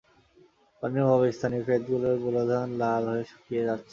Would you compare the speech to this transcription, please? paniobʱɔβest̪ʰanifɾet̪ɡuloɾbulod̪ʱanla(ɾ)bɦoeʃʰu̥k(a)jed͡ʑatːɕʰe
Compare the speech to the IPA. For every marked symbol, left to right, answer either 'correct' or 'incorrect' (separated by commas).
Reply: incorrect, incorrect